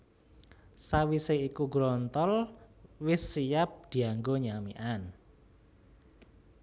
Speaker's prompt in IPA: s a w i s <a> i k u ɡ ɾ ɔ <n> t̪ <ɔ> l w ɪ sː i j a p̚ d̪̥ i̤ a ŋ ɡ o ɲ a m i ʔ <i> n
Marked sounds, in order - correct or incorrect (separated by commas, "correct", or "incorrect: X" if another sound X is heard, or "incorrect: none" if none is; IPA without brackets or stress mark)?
incorrect: e, correct, correct, incorrect: a